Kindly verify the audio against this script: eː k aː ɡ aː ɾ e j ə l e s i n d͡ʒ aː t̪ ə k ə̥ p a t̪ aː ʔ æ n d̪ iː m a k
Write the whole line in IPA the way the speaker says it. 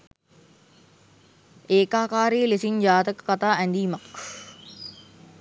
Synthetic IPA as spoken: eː k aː k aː ɾ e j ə l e s i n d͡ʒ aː t̪ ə k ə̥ k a t̪ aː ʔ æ n d̪ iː m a k